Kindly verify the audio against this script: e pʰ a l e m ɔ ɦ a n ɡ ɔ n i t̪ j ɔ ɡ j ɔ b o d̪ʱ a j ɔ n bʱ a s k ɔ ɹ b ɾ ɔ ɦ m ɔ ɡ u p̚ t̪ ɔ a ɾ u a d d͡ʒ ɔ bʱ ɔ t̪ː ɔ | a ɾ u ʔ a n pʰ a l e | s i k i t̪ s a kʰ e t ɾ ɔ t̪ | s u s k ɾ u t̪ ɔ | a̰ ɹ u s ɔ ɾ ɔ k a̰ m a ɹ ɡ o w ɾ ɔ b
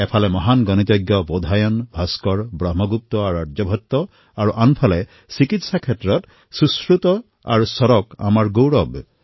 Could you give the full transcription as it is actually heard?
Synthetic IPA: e pʰ a l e m ɔ ɦ a n ɡ ɔ n i t̪ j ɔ ɡ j ɔ b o d̪ʱ a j ɔ n bʱ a s k ɔ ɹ b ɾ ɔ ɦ m ɔ ɡ u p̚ t̪ ɔ a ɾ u a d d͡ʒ ɔ bʱ ɔ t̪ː ɔ | a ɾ u ʔ a n pʰ a l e | s i k i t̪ s a kʰ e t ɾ ɔ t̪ | s u s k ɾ u t̪ ɔ | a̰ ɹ u s ɔ ɾ ɔ k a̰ m a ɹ ɡ o w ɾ ɔ b

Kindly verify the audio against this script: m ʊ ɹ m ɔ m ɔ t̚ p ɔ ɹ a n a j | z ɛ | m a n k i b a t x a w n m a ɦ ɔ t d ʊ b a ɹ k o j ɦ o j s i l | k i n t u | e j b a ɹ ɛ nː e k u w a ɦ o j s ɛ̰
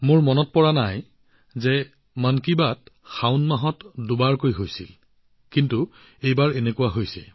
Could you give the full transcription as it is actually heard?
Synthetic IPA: m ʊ ɹ m ɔ n ɔ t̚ p ɔ ɹ a n a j | z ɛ | m a n k i b a t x a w n m a ɦ ɔ t d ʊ b a ɹ k o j ɦ o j s i l | k i n t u | e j b a ɹ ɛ n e k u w a ɦ o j s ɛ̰

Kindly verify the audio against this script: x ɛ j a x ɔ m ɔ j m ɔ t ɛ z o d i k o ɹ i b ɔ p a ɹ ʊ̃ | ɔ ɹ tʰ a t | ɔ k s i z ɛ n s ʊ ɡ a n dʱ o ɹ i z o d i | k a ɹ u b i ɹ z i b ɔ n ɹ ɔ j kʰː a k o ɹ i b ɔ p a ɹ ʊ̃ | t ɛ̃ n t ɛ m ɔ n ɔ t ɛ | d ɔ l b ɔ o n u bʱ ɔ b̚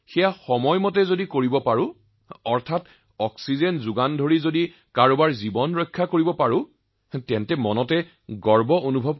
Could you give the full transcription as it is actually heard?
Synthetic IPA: x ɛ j a x ɔ m ɔ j m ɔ t ɛ z o d i k o ɹ i b ɔ p a ɹ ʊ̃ | ɔ ɹ tʰ a t | ɔ k s i z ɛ n z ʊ ɡ a n dʱ o ɹ i z o d i | k a ɹ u b a ɹ z i b ɔ n ɹ ɔ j kʰː a k o ɹ i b ɔ p a ɹ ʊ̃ | t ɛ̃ n t ɛ m ɔ n ɔ t ɛ | ɡ ɔ ɹ b ɔ o n u bʱ ɔ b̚

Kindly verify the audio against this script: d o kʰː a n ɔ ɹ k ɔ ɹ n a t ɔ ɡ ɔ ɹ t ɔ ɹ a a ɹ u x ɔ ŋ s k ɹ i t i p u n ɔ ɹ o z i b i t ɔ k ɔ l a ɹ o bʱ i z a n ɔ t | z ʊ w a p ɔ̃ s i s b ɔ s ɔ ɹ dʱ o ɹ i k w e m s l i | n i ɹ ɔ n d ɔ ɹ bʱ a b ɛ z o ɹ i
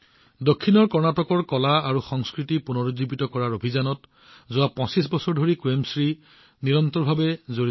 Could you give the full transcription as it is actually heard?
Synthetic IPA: d o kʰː i n ɔ ɹ k ɔ ɹ n a t ɔ k ɔ ɹ k ɔ l a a ɹ u x ɔ ŋ s k ɹ i t i p u n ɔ ɹ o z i b i t ɔ k ɔ ɹ a ɹ o bʱ i z a n ɔ t | z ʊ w a p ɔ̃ s i s b ɔ s ɔ ɹ dʱ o ɹ i k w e m s ɹ i | n i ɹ ɔ n t ɔ ɹ bʱ a b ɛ z o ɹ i

